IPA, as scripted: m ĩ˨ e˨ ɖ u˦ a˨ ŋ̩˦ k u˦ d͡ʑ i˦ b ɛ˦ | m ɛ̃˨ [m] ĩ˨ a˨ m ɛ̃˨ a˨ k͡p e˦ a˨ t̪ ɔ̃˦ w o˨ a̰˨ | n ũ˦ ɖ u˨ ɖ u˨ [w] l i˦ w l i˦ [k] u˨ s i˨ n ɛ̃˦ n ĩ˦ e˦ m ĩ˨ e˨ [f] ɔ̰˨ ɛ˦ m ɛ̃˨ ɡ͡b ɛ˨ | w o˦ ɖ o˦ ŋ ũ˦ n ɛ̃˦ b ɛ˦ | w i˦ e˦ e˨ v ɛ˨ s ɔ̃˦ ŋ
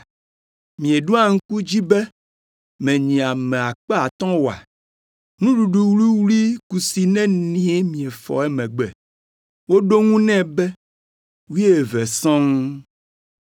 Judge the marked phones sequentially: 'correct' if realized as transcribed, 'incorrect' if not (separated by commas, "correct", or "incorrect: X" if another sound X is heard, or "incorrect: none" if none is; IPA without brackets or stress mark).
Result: incorrect: ɲ, correct, correct, correct